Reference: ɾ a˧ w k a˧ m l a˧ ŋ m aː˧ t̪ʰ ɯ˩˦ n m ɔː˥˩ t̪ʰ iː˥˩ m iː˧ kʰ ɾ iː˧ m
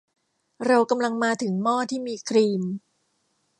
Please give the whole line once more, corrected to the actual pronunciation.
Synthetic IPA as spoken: ɾ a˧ w k a˧ m l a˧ ŋ m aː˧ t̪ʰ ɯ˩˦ ŋ m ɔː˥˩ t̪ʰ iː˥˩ m iː˧ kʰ ɾ iː˧ m